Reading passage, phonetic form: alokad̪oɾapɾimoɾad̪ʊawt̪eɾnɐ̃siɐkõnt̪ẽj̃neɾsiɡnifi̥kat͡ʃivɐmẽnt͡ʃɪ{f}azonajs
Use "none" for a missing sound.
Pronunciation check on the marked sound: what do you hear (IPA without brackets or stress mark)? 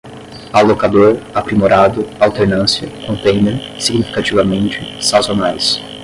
s